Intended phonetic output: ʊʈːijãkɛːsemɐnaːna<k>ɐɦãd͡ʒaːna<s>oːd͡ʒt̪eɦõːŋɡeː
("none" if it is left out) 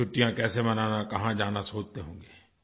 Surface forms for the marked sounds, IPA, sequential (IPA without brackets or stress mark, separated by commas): k, s